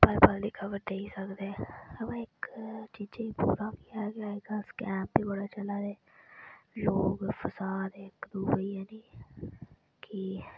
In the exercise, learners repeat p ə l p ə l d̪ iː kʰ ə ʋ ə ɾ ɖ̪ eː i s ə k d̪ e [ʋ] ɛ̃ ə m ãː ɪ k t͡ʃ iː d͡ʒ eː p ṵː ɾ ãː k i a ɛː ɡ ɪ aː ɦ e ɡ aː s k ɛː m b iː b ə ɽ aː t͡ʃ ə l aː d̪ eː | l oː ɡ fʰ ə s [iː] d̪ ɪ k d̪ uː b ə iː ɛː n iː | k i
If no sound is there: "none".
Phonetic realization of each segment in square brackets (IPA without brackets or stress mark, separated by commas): none, aː